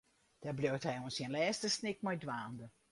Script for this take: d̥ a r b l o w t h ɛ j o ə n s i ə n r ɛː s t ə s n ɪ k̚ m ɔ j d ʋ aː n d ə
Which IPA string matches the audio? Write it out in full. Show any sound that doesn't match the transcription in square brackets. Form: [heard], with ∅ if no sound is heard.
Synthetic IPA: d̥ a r b l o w t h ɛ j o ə n s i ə n [l] ɛː s t ə s n ɪ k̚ m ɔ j d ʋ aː n d ə